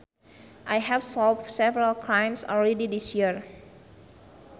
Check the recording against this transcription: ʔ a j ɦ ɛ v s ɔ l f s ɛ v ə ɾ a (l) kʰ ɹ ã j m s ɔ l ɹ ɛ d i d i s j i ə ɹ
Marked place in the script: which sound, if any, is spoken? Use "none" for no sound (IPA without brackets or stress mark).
l